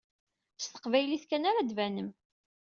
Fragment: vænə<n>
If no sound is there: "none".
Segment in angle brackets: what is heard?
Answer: m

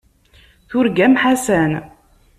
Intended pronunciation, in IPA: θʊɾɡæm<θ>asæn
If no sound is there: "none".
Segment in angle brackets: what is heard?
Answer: ħ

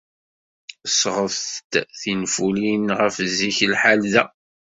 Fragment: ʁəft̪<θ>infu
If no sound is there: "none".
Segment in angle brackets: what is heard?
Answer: θ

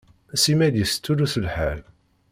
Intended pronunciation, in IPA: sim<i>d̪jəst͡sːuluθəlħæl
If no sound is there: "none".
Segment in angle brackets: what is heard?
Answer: æ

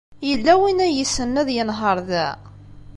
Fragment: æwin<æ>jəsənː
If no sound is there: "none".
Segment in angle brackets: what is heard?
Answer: æ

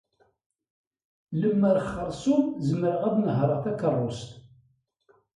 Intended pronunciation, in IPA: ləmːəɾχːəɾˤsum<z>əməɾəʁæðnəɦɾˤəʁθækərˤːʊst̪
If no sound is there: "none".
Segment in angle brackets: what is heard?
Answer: z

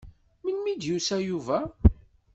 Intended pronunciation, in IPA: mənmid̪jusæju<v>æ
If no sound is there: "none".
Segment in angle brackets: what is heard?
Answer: v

